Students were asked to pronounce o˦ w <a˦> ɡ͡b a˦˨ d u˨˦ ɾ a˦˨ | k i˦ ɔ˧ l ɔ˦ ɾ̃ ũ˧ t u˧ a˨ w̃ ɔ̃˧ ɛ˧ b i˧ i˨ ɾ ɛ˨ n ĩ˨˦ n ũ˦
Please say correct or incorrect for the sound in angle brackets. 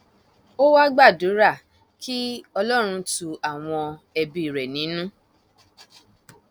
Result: correct